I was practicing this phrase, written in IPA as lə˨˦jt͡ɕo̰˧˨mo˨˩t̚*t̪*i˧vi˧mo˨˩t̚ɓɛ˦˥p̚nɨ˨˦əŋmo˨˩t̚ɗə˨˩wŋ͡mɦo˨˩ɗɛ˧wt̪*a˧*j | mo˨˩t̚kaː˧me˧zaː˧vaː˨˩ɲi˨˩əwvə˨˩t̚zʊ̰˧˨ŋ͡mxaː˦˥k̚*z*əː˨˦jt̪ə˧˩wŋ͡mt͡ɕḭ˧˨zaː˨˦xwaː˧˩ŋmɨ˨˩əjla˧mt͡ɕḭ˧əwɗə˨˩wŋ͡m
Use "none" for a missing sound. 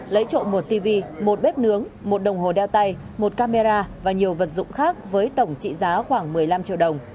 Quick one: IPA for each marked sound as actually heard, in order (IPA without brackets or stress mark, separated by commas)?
t̪, a˧, v